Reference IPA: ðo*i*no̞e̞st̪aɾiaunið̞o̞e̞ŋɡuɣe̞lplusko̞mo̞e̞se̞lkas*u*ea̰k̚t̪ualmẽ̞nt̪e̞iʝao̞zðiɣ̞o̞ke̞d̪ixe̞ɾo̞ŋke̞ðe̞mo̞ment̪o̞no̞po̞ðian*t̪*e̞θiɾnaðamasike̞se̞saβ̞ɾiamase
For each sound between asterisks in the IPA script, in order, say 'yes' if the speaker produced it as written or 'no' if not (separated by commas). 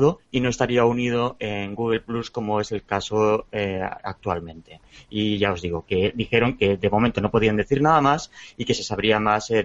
yes, no, no